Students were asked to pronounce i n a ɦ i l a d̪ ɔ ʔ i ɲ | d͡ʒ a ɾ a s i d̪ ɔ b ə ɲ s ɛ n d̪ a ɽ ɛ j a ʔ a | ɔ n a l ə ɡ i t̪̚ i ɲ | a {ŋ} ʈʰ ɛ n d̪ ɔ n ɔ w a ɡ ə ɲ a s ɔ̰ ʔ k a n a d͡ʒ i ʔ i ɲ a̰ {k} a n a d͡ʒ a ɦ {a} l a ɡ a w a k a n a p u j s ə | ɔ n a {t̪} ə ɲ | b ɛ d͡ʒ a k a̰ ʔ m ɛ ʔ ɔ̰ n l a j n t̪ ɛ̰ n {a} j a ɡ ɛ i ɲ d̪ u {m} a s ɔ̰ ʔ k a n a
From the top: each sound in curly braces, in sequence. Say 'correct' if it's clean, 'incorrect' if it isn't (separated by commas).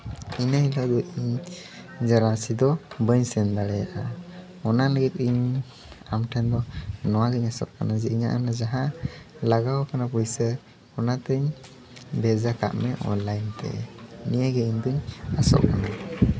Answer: incorrect, incorrect, correct, correct, incorrect, incorrect